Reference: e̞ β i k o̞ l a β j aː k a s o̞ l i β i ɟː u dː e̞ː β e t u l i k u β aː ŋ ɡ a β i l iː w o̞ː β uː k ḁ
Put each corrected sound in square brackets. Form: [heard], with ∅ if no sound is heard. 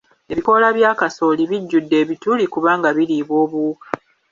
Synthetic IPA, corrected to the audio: e̞ β i k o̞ l a β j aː k a s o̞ l i β i ɟː u dː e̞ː β [i] t u l i k u β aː ŋ ɡ a β i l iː [β] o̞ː β uː k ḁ